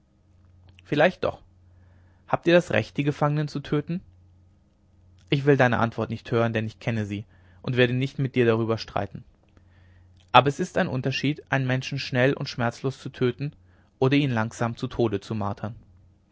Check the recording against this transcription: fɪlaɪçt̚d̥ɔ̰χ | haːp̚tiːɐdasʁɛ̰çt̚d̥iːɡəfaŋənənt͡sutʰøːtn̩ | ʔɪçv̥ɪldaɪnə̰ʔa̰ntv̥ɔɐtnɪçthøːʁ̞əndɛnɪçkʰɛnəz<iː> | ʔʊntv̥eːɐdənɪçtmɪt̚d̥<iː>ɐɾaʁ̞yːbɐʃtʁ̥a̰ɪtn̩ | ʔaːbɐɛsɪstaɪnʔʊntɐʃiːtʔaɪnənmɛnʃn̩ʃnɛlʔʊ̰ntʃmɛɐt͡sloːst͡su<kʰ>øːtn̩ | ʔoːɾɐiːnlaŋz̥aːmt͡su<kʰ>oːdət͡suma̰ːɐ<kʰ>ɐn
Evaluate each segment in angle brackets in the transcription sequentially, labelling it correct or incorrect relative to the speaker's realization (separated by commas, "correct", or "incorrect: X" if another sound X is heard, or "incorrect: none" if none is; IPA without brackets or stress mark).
correct, correct, incorrect: tʰ, incorrect: tʰ, incorrect: tʰ